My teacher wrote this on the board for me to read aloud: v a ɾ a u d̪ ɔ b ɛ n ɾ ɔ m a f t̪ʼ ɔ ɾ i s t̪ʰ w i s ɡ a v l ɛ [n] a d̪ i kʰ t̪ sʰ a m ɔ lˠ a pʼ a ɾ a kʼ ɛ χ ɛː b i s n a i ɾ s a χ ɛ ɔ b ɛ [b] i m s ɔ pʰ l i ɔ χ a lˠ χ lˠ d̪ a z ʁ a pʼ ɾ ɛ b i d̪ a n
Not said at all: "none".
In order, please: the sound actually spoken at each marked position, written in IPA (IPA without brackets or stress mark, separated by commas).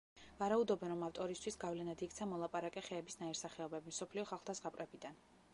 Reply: n, b